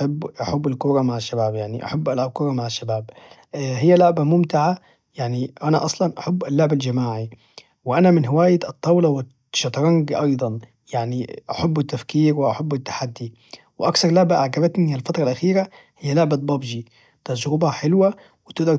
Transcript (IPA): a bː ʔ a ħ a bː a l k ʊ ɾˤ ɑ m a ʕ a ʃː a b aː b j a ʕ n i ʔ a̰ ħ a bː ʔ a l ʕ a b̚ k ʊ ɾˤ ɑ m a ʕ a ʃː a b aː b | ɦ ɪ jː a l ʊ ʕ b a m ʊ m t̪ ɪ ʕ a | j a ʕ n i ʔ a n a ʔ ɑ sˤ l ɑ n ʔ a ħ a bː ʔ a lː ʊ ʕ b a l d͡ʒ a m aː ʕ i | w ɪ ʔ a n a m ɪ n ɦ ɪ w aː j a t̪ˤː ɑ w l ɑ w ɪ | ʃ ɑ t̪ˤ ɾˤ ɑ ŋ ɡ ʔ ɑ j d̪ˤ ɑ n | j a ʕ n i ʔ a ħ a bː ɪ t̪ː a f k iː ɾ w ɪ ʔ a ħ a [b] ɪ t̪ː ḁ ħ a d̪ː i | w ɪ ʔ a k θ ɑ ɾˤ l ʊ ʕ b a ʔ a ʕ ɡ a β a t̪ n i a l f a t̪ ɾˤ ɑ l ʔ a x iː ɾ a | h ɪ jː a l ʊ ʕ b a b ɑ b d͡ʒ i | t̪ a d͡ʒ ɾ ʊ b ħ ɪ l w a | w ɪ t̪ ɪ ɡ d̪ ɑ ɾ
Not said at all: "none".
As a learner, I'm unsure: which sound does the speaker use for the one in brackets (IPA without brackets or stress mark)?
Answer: bː